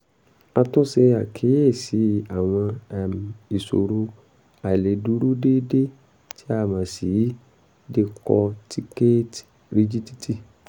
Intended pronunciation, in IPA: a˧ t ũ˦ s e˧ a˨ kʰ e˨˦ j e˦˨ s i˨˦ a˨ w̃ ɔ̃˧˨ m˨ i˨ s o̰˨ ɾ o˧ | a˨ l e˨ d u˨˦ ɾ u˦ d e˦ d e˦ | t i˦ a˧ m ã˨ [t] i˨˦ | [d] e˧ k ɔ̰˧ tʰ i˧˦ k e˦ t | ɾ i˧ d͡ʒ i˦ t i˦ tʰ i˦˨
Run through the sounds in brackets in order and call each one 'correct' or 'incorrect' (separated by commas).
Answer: incorrect, correct